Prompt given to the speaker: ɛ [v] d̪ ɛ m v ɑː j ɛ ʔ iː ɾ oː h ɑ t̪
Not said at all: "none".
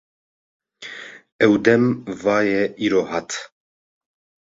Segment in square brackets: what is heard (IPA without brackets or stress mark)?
w